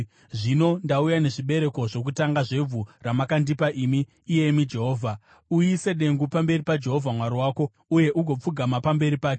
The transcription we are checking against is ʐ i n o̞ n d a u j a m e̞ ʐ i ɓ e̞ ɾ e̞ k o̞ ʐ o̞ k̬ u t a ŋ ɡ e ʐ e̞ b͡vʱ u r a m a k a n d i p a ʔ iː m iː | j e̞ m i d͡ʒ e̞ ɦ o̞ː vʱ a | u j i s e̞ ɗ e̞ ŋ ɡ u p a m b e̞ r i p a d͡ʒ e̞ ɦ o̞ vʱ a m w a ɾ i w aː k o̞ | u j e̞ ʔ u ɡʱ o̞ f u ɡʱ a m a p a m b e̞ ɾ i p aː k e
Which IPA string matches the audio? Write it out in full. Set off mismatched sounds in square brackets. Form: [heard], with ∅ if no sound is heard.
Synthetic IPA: ʐ i n o̞ n d a u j a [n] e̞ ʐ i ɓ e̞ ɾ e̞ k o̞ ʐ o̞ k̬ u t a ŋ ɡ [a] ʐ e̞ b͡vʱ u r a m a k a n d i p a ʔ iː m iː | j e̞ m i d͡ʒ e̞ ɦ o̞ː vʱ a | u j i s e̞ ɗ e̞ ŋ ɡ u p a m b e̞ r i p a d͡ʒ e̞ ɦ o̞ vʱ a m w a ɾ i w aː k o̞ | u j e̞ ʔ u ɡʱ o̞ [p͡f] u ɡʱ a m a p a m b e̞ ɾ i p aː k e